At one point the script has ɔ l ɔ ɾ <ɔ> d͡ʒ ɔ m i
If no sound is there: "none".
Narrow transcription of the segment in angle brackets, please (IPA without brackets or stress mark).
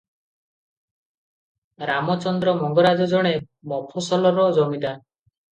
ɔ